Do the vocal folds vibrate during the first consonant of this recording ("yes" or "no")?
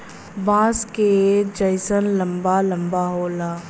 yes